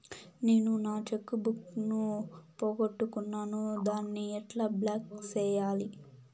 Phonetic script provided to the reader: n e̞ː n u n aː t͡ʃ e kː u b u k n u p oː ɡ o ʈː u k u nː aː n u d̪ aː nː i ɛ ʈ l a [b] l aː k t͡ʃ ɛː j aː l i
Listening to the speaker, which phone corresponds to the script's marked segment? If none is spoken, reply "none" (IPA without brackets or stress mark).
b